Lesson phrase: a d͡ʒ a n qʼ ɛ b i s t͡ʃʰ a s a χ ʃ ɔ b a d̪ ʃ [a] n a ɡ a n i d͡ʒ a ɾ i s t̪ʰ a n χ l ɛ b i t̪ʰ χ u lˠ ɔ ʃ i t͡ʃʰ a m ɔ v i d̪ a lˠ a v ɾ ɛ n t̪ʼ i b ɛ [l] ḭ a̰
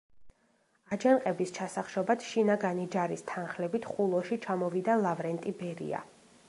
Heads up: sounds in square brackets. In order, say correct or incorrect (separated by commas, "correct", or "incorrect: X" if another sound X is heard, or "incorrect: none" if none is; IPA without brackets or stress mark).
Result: incorrect: i, incorrect: ɾ